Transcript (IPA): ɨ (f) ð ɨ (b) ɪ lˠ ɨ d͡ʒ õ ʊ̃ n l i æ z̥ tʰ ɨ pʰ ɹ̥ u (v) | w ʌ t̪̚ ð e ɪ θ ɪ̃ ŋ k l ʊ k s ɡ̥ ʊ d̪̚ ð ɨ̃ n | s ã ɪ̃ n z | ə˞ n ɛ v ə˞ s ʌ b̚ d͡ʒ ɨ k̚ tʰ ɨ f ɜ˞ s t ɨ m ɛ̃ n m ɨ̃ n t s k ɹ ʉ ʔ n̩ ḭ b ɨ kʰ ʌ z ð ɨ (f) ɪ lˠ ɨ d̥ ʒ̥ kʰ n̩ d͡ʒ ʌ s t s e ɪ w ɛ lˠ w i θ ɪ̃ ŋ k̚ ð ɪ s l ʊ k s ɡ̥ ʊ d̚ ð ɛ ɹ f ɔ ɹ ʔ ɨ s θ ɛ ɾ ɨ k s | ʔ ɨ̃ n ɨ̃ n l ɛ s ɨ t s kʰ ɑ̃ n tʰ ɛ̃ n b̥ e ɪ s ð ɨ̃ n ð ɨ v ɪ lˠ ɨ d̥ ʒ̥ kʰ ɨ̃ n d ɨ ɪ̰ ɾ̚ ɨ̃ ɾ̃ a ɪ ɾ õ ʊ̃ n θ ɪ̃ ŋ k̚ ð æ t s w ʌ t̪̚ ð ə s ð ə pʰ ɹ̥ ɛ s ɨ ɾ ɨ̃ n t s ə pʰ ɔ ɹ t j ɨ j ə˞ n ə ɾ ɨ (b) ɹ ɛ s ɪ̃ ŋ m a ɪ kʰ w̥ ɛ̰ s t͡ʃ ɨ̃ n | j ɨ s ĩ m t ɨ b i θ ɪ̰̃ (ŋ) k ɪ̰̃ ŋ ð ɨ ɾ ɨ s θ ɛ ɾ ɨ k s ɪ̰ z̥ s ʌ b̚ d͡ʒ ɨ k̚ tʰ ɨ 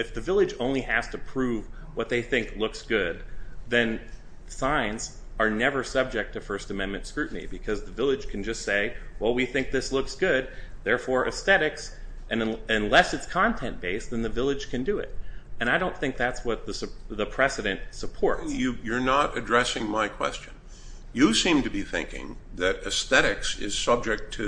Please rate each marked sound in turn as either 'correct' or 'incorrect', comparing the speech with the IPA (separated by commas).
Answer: correct, incorrect, correct, incorrect, incorrect, correct